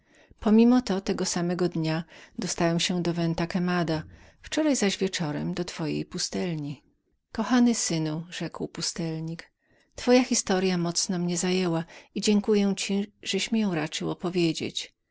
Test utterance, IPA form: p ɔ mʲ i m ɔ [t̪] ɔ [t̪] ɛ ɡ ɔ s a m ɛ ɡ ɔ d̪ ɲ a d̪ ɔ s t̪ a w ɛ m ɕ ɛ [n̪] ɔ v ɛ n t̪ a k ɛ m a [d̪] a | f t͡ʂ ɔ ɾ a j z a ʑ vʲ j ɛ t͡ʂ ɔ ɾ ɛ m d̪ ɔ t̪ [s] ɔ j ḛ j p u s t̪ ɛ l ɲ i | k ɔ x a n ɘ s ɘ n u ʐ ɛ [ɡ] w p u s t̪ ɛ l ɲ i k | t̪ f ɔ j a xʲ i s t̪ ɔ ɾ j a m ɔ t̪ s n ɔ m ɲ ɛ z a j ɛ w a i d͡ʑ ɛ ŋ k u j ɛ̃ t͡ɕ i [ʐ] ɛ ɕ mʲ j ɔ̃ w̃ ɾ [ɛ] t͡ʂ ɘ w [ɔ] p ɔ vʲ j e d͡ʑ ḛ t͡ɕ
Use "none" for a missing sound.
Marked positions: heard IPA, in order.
t̪, t̪, d̪, d̪, f, k, ʐ, a, ɔ

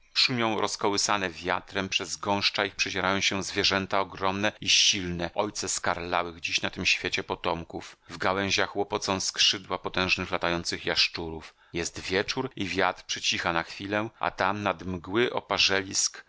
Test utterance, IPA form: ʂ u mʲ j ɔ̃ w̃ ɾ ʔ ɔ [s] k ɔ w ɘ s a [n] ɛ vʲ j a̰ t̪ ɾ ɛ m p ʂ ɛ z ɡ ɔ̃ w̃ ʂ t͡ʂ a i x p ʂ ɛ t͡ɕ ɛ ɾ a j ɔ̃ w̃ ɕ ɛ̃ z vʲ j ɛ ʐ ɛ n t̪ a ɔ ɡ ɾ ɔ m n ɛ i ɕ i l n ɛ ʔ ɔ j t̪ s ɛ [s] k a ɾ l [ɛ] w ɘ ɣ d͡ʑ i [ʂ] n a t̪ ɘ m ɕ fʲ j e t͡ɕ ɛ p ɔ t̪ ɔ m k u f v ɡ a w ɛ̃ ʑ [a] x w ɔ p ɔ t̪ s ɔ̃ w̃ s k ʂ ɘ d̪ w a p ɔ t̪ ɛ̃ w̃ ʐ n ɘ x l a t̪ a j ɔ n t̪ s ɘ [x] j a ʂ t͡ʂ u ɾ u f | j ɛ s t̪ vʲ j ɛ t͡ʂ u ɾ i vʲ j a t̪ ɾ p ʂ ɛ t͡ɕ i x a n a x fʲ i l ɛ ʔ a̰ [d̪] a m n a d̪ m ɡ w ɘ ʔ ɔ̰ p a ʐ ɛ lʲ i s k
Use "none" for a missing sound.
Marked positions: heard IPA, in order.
s, n, s, a, ɕ, a, x, t̪

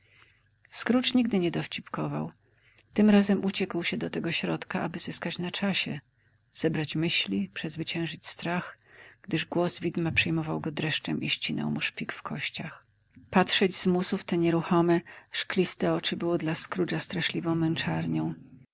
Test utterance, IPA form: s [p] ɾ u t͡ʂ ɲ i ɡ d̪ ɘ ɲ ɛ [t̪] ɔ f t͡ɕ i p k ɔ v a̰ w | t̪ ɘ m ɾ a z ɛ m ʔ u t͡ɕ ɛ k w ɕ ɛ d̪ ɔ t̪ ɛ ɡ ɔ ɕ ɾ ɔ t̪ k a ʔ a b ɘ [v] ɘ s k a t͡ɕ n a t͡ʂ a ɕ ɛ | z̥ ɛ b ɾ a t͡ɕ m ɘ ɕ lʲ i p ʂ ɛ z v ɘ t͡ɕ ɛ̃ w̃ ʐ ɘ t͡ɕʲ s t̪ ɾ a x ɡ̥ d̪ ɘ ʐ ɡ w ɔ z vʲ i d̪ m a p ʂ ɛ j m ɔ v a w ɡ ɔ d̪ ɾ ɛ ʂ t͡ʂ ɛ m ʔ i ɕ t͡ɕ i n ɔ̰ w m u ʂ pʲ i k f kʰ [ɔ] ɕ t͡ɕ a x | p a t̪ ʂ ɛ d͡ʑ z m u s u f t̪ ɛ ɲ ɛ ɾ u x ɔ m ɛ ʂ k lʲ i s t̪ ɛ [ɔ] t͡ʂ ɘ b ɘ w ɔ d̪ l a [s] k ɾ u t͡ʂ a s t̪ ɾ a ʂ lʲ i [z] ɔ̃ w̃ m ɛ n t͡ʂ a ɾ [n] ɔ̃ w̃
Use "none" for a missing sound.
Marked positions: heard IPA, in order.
k, d̪, z, ɔ, ɔ, s, v, ɲ

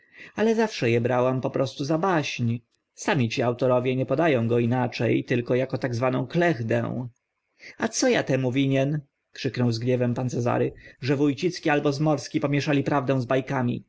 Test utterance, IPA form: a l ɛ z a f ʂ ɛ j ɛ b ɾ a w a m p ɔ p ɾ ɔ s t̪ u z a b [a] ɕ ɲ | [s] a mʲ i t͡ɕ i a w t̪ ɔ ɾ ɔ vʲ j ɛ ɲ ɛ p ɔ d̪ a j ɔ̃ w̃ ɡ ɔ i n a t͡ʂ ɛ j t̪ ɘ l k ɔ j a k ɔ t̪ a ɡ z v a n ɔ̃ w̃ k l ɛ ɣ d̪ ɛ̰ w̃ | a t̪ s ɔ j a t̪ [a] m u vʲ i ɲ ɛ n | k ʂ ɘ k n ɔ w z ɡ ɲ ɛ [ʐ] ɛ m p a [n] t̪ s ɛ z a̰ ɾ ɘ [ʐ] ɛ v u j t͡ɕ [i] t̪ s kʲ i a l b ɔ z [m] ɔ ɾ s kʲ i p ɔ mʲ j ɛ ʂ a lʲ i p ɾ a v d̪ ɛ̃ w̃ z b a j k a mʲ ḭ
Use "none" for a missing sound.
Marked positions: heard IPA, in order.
a, s, ɛ, v, n, ʐ, i, m

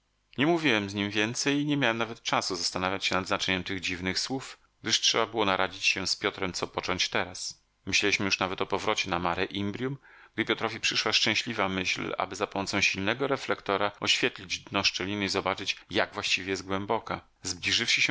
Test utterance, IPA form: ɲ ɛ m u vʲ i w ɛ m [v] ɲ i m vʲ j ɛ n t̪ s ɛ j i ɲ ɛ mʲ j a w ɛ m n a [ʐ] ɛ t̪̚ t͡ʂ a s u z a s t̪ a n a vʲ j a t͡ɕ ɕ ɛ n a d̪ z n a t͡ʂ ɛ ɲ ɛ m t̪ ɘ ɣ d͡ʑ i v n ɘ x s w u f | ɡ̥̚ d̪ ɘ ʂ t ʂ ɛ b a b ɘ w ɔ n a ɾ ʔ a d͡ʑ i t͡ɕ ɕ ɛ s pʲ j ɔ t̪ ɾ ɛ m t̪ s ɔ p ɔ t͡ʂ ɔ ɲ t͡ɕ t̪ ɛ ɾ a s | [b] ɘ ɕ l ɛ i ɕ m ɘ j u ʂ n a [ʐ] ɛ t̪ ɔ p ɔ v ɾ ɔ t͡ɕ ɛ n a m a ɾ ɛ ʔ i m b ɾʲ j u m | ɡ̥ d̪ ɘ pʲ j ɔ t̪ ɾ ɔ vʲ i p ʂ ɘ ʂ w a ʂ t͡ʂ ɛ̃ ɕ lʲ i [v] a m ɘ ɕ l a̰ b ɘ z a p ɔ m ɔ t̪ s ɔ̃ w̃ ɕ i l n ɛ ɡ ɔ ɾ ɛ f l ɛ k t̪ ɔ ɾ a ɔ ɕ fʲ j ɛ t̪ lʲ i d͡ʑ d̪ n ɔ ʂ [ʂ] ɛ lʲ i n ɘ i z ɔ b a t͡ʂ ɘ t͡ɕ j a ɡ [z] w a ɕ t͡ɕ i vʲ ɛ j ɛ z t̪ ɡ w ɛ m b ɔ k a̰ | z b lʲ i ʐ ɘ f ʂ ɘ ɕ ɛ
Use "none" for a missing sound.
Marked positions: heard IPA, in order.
z, v, m, v, v, t͡ʂ, v

